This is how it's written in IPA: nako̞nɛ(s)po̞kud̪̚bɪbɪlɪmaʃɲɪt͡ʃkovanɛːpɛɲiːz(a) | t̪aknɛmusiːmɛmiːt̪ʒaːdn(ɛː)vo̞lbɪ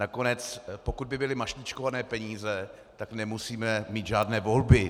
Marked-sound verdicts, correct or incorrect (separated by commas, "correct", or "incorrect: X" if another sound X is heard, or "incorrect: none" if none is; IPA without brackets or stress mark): incorrect: t͡s, incorrect: ɛ, correct